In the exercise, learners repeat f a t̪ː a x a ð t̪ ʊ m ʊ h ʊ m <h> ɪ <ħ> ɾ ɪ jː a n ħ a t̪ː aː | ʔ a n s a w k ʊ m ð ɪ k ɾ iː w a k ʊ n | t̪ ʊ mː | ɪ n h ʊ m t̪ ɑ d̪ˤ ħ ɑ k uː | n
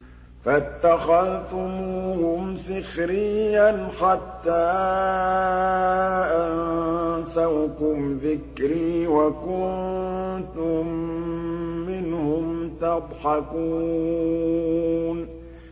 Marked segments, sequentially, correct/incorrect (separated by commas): incorrect, incorrect